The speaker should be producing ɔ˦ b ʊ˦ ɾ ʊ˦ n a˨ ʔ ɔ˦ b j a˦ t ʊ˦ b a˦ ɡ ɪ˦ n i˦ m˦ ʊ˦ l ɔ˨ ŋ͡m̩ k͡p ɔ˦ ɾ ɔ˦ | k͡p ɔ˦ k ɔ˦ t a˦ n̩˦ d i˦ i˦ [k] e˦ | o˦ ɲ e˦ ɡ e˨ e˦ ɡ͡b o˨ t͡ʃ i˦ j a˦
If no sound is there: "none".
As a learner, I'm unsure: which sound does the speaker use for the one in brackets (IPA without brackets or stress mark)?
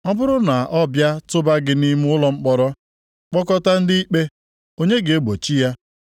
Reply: k͡p